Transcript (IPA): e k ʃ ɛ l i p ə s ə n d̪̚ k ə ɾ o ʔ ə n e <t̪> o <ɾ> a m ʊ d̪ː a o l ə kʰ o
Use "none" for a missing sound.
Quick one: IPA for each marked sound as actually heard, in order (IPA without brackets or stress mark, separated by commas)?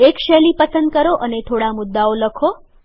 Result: t̪ʰ, ɽ